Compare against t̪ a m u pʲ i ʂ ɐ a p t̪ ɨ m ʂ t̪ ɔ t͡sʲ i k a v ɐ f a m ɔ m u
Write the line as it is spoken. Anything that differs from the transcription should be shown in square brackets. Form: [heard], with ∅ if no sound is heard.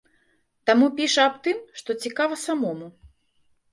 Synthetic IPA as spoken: t̪ a m u pʲ i ʂ ɐ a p t̪ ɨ m ʂ t̪ ɔ t͡sʲ i k a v ɐ [s] a m ɔ m u